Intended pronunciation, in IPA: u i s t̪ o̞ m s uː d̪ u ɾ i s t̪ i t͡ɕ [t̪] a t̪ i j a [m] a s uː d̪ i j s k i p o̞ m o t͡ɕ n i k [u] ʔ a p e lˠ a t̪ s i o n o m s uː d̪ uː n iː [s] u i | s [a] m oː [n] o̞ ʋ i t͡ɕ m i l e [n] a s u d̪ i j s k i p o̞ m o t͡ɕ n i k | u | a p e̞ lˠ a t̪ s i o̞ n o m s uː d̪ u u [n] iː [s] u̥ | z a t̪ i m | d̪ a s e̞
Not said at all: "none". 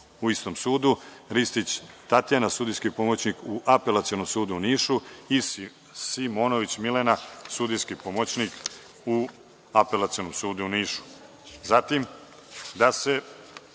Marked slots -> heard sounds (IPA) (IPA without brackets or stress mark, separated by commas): t̪, n, u, ʃ, i, n, n, n, ʃ